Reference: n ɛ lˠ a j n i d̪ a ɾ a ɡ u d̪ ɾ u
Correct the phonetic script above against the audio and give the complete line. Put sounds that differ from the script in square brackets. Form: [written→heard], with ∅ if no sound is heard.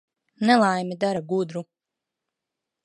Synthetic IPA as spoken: n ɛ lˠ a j [n→m] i d̪ a ɾ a ɡ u d̪ ɾ u